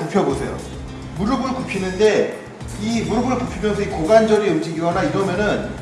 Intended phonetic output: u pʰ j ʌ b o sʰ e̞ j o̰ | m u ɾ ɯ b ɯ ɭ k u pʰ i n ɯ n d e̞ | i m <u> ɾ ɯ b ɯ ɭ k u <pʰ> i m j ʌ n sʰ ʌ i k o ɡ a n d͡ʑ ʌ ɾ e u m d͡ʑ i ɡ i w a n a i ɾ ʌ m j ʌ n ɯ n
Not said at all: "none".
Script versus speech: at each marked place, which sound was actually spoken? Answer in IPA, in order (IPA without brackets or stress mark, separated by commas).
u, pʰ